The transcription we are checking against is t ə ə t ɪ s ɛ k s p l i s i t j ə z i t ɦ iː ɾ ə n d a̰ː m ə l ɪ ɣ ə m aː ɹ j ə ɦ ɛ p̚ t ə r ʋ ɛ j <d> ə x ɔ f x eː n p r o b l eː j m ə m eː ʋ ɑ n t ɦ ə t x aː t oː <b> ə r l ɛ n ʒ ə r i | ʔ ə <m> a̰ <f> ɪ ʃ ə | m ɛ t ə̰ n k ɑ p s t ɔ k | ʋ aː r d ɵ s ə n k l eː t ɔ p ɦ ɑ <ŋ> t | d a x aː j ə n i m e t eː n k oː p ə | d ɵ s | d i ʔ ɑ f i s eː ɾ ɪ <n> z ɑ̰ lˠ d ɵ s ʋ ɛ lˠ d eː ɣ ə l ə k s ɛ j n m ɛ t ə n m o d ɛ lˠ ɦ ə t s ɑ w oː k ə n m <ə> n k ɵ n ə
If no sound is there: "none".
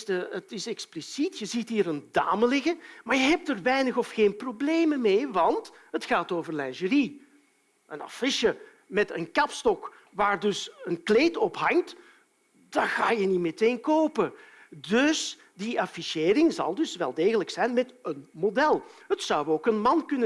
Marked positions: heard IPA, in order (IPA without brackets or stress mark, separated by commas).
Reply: n, v, n, f, ŋ, ŋ, ɑ